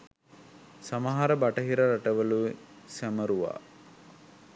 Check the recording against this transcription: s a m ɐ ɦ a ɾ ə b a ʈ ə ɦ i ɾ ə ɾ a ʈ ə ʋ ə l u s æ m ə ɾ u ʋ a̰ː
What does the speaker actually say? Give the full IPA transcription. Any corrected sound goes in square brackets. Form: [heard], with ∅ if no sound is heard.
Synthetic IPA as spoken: s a m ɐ ɦ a ɾ ə b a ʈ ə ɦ i ɾ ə ɾ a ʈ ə ʋ ə l u s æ m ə ɾ u ʋ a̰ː